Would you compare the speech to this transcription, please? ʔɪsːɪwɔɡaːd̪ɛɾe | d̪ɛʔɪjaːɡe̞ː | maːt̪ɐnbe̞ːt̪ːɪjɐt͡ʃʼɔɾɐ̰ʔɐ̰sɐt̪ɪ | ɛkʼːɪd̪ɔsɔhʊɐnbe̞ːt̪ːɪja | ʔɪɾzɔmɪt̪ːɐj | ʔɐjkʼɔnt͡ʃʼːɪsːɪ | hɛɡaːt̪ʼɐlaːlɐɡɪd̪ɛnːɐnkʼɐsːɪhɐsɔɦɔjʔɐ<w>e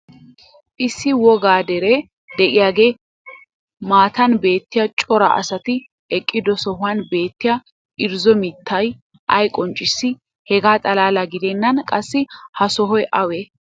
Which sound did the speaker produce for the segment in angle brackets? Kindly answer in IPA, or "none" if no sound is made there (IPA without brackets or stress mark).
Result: w